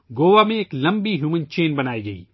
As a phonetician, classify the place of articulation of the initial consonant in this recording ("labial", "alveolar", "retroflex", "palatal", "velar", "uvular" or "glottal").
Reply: velar